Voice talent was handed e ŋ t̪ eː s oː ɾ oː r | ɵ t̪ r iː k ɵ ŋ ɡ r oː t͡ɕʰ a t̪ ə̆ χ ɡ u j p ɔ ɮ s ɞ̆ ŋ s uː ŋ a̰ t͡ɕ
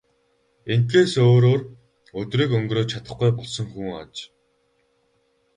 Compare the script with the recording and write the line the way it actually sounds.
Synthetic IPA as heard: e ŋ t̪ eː s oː ɾ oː r | ɵ t̪ r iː k ɵ ŋ ɡ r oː t͡ɕʰ a t̪ ə̆ χ ɡ u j p ɔ ɮ s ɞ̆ ŋ x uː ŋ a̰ t͡ɕ